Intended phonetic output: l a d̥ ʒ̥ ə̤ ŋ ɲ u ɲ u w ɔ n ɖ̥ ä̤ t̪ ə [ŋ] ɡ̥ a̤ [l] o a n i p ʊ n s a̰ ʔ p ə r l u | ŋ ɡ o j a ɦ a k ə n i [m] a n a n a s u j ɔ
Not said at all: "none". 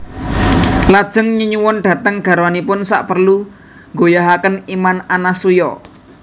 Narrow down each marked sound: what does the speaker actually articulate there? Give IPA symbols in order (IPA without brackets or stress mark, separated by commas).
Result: ŋ, ɾ, m